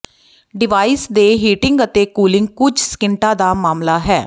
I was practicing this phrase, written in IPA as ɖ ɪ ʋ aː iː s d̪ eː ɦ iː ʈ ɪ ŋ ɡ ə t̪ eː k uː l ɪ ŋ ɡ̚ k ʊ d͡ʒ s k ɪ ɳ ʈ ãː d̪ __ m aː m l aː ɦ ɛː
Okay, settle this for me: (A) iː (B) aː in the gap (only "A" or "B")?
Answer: B